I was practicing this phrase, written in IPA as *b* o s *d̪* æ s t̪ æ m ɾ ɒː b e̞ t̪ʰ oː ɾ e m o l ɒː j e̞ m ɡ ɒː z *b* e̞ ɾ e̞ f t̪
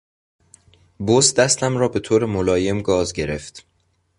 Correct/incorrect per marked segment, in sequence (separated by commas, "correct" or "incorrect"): correct, correct, incorrect